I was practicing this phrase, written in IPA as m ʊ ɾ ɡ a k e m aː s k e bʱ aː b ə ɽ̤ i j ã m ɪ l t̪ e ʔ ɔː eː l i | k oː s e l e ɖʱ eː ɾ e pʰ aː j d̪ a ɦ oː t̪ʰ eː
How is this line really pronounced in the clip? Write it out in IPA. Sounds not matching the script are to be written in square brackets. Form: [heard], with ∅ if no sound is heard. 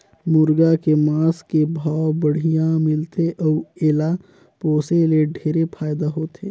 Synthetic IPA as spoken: m ʊ ɾ ɡ a k e m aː s k e bʱ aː b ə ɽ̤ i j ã m ɪ l t̪ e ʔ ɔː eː l [a] | [p] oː s e l e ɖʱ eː ɾ e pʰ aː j d̪ a ɦ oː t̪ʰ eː

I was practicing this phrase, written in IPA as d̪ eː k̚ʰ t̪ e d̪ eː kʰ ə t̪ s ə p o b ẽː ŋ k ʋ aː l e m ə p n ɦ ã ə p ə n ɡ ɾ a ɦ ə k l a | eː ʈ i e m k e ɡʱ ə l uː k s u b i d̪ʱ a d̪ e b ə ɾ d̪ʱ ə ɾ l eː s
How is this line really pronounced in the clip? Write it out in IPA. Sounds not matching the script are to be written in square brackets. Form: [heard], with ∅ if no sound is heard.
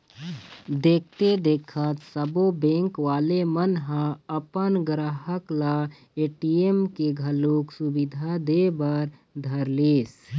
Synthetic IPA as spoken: d̪ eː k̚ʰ t̪ e d̪ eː kʰ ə t̪ s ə [b] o b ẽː ŋ k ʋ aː l e m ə [∅] n ɦ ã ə p ə n ɡ ɾ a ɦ ə k l a | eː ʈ i e m k e ɡʱ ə l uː k s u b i d̪ʱ a d̪ e b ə ɾ d̪ʱ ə ɾ l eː s

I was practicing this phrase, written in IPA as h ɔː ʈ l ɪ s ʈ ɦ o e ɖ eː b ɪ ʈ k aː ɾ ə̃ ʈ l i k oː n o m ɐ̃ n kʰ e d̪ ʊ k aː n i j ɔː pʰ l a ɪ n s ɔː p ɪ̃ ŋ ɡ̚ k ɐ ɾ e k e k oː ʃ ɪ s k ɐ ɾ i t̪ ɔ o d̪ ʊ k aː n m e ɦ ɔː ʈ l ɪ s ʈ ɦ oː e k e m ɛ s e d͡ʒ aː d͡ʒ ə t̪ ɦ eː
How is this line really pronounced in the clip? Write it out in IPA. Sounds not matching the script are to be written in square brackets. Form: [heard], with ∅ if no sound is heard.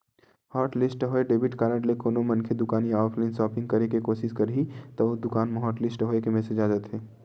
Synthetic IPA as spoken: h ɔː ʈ l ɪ s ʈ ɦ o e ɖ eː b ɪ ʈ k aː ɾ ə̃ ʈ l [e] k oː n o m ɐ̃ n kʰ e d̪ ʊ k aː n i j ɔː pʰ l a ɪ n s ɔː p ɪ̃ ŋ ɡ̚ k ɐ ɾ e k e k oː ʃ ɪ s k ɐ ɾ i t̪ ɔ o d̪ ʊ k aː n m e ɦ ɔː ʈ l ɪ s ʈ ɦ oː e k e m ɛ s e d͡ʒ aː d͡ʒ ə t̪ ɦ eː

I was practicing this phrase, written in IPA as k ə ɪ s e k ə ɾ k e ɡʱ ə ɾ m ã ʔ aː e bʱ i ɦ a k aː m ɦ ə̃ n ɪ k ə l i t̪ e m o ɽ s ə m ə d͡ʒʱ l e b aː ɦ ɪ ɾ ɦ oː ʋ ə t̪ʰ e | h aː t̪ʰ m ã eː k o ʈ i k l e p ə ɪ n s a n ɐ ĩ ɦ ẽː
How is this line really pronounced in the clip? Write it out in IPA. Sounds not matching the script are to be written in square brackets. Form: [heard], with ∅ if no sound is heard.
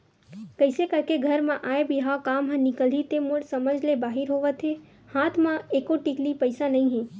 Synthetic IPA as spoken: k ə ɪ s e k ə ɾ k e ɡʱ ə ɾ m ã ʔ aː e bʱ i ɦ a k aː m ɦ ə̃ n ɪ k ə l i t̪ e m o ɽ s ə m ə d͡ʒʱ l e b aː ɦ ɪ ɾ ɦ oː ʋ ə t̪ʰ e | h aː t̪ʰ m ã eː k o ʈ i k l [i] p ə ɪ [∅] s a n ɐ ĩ ɦ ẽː

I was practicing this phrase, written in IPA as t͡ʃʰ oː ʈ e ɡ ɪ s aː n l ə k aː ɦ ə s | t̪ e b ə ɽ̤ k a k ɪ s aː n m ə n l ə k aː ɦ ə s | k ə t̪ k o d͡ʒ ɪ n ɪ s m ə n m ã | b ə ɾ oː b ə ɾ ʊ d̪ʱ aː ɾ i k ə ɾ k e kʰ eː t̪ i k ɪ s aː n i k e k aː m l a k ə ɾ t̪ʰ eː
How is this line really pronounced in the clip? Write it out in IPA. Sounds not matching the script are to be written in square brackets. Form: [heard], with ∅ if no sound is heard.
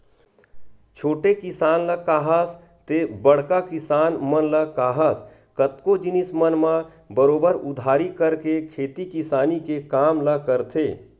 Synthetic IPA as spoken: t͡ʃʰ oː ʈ e [k] ɪ s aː n l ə k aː ɦ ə s | t̪ e b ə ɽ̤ k a k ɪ s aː n m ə n l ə k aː ɦ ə s | k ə t̪ k o d͡ʒ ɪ n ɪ s m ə n m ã | b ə ɾ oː b ə ɾ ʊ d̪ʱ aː ɾ i k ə ɾ k e kʰ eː t̪ i k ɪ s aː n i k e k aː m l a k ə ɾ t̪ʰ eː

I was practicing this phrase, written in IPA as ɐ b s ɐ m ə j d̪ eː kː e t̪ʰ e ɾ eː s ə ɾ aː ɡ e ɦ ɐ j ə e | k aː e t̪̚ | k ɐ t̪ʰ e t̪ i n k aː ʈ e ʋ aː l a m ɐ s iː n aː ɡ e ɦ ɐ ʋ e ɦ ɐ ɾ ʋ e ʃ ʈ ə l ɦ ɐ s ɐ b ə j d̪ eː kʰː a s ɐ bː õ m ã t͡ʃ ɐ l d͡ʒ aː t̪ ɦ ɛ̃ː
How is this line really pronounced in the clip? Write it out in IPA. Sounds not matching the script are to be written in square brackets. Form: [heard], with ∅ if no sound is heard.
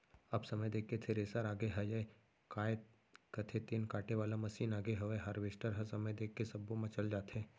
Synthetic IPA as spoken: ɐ b s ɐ m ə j d̪ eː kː e t̪ʰ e ɾ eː s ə ɾ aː ɡ e ɦ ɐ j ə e | k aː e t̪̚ | k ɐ t̪ʰ e t̪ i n k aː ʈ e ʋ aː l a m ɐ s iː n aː ɡ e ɦ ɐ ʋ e ɦ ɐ ɾ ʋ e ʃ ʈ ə [ɾ] ɦ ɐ s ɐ [m] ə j d̪ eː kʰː [e] s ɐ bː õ m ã t͡ʃ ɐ l d͡ʒ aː t̪ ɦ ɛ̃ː

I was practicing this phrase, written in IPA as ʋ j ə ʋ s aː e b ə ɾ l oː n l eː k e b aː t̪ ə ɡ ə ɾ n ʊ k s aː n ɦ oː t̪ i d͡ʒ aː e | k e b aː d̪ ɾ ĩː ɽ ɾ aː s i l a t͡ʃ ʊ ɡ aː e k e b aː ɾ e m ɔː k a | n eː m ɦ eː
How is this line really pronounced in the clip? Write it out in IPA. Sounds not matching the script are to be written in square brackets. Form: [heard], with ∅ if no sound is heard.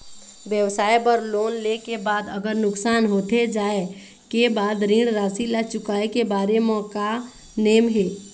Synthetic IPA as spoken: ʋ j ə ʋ s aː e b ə ɾ l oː n l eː k e b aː [d̪] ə ɡ ə ɾ n ʊ k s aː n ɦ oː t̪ [e] d͡ʒ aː e | k e b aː d̪ ɾ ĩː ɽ ɾ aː s i l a t͡ʃ ʊ [k] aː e k e b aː ɾ e m ɔː k a | n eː m ɦ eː

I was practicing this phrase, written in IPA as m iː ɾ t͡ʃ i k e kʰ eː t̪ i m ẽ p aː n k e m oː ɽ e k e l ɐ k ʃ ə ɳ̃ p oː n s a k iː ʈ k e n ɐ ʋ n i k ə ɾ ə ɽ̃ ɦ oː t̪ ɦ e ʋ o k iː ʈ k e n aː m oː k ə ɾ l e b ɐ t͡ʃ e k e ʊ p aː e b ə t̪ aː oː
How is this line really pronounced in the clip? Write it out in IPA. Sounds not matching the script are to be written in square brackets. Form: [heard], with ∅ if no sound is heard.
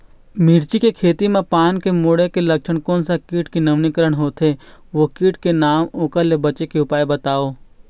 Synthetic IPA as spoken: m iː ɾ t͡ʃ i k e kʰ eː t̪ i m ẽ p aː n k e m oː ɽ e k e l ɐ k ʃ ə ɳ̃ [k] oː n s a k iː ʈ k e n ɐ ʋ n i k ə ɾ ə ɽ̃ ɦ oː t̪ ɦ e ʋ o k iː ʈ k e n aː m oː k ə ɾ l e b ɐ t͡ʃ e k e ʊ p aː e b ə t̪ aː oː

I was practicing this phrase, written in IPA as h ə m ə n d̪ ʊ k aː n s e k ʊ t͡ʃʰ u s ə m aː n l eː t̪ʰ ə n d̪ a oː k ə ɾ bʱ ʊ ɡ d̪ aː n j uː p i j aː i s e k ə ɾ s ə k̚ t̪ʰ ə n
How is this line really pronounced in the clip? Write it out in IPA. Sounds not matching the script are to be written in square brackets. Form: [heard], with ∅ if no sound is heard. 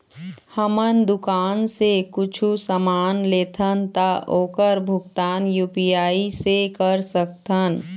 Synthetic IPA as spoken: h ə m ə n d̪ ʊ k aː n s e k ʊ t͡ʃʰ u s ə m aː n l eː t̪ʰ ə n [t̪] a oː k ə ɾ bʱ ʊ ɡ [t̪] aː n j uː p i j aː i s e k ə ɾ s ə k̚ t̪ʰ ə n

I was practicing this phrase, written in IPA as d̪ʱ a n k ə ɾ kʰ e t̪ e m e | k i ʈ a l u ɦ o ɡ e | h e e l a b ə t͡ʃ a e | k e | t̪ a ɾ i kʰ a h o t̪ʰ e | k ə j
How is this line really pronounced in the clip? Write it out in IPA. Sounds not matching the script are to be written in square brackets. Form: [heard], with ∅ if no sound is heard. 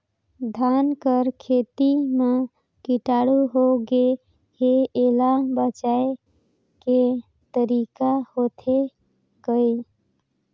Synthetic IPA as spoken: d̪ʱ a n k ə ɾ kʰ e t̪ [i] m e | k i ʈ a [ɽ] u ɦ o ɡ e | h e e l a b ə t͡ʃ a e | k e | t̪ [ə] ɾ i [k] a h o t̪ʰ e | k ə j

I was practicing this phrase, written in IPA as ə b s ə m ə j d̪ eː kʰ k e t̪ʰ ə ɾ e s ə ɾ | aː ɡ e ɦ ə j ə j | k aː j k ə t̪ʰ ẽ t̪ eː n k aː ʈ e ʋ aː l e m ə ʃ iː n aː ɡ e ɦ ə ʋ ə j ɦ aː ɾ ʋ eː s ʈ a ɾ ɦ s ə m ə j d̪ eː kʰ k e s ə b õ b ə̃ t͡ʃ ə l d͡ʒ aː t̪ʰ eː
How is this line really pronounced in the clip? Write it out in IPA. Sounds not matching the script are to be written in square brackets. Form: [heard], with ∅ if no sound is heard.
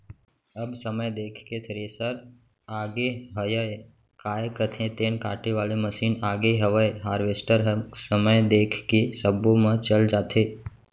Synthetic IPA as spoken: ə b s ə m ə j d̪ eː kʰ k e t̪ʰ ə ɾ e s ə ɾ | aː ɡ e ɦ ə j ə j | k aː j k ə t̪ʰ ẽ t̪ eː n k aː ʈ e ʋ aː l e m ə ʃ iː n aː ɡ e ɦ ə ʋ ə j ɦ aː ɾ ʋ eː s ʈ [ə] ɾ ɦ s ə m ə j d̪ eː kʰ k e s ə b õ [m] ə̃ t͡ʃ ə l d͡ʒ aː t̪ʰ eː

